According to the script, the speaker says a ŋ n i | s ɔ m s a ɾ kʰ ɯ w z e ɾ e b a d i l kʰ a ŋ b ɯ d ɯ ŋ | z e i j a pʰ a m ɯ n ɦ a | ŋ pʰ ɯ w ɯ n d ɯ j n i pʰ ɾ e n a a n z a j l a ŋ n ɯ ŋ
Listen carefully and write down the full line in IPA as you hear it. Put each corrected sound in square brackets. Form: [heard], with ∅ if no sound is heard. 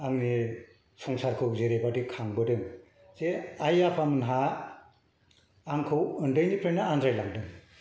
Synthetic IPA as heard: a ŋ n i | s ɔ [ŋ] s a ɾ kʰ ɯ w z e ɾ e b a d i [∅] kʰ a ŋ b ɯ d ɯ ŋ | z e [a] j a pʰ a m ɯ n ɦ a | ŋ [kʰ] ɯ w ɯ n d ɯ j n i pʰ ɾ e n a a n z a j l a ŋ [d] ɯ ŋ